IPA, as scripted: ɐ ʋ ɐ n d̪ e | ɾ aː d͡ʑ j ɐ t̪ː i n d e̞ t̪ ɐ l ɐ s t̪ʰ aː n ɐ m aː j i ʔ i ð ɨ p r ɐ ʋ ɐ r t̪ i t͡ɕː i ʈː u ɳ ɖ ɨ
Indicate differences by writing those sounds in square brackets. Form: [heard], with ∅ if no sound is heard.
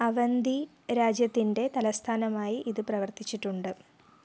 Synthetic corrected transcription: ɐ ʋ ɐ n d̪ [i] | ɾ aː d͡ʑ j ɐ t̪ː i n d e̞ t̪ ɐ l ɐ s t̪ʰ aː n ɐ m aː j i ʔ i ð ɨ p r ɐ ʋ ɐ r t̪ i t͡ɕː i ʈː u ɳ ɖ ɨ